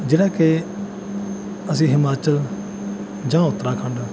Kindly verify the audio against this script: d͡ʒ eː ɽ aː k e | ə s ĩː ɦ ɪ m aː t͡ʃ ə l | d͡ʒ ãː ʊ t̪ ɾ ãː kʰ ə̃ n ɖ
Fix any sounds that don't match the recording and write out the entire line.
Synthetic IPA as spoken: d͡ʒ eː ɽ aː k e | ə s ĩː ɦ ɪ m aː t͡ʃ ə l | d͡ʒ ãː ʊ t̪ ɾ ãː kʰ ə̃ ɳ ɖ